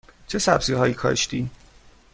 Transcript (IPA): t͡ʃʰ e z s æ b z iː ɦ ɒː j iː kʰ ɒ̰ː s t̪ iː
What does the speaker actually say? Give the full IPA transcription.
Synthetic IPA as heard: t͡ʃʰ e s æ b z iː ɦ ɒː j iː kʰ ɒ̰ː ʃ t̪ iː